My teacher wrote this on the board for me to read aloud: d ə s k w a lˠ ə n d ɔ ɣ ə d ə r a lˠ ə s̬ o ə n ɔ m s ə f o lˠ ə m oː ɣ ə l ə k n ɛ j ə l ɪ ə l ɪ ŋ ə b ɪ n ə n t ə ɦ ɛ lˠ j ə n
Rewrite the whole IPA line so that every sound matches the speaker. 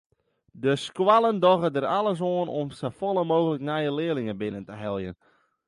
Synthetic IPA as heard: d ə s k w a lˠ ə n d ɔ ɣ ə d ə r a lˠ ə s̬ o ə n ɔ m s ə f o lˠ ə m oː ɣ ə l ə k n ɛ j ə l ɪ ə l ɪ ŋ ə b ɪ n ə n t ə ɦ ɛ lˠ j ə n